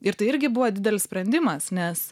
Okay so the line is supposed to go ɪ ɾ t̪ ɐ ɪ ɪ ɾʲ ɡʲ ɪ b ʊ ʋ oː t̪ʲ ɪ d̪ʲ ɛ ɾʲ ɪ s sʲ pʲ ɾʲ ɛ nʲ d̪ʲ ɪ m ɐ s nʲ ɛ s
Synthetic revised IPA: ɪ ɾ t̪ ɐ ɪ ɪ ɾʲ ɡʲ ɪ b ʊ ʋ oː d̪ʲ ɪ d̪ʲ ɛ lʲ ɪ s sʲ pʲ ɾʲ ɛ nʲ d̪ʲ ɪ m ɐ s nʲ ɛ s